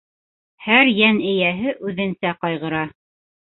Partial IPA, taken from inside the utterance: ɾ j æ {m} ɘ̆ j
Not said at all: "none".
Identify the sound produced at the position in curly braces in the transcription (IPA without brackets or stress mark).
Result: n